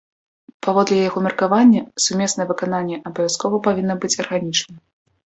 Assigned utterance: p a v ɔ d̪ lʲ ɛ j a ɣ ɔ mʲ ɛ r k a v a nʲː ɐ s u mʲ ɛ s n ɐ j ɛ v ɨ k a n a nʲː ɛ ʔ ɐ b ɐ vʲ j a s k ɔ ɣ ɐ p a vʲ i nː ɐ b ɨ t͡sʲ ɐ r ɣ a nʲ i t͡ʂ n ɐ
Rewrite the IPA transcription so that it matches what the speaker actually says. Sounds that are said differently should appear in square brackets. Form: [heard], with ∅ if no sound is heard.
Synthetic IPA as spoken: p a v ɔ d̪ lʲ ɛ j a ɣ ɔ mʲ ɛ r k a v a nʲː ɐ s u mʲ ɛ s n ɐ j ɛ v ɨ k a n a nʲː ɛ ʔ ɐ b ɐ vʲ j a s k ɔ [v] ɐ p a vʲ i nː ɐ b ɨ t͡sʲ ɐ r ɣ a nʲ i t͡ʂ n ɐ